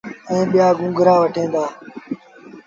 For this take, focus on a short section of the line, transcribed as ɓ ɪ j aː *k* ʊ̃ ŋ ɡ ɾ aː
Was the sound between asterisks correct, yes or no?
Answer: no